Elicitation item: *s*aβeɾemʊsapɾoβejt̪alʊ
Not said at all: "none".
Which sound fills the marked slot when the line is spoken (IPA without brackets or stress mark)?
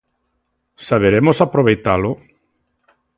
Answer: s